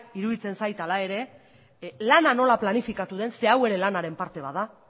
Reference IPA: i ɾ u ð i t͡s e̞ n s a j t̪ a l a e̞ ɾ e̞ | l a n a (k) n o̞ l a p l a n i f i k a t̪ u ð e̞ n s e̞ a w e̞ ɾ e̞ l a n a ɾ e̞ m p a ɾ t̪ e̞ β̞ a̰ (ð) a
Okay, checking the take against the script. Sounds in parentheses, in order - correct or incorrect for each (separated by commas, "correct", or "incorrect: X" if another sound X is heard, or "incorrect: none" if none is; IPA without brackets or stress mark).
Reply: incorrect: none, correct